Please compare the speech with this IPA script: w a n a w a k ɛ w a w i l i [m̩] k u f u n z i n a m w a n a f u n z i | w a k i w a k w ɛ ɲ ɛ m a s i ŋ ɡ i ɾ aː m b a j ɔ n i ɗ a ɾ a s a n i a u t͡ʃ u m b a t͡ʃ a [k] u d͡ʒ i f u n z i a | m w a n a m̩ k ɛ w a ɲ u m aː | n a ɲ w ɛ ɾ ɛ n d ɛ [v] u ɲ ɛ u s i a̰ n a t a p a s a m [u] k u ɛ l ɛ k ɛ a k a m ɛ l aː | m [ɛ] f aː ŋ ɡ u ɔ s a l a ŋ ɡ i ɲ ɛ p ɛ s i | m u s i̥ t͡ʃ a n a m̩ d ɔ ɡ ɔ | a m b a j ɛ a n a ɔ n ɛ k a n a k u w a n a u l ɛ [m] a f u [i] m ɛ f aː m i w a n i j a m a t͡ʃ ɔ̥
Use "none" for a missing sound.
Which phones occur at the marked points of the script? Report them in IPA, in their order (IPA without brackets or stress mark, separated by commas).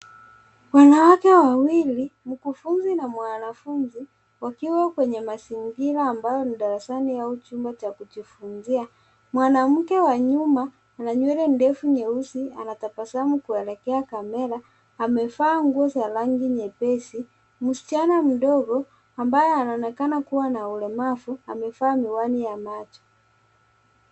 m̩, k, f, u, ɛ, m, a